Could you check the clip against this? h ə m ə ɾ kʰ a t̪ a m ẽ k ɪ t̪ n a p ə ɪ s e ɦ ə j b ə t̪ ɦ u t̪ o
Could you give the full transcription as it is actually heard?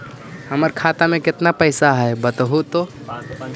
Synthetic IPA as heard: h ə m ə ɾ kʰ a t̪ a m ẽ k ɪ t̪ n a p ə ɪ s a ɦ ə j b ə t̪ ɦ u t̪ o